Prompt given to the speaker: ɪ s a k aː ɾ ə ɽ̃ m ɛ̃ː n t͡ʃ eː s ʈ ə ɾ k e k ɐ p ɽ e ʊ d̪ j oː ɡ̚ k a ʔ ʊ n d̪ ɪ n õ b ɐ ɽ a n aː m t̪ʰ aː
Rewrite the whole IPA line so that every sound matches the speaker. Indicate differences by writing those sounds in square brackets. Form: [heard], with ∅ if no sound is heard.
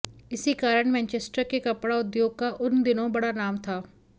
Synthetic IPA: ɪ s [i] k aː ɾ ə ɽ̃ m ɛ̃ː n t͡ʃ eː s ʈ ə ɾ k e k ɐ p ɽ [a] ʊ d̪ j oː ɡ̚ k a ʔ ʊ n d̪ ɪ n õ b ɐ ɽ a n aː m t̪ʰ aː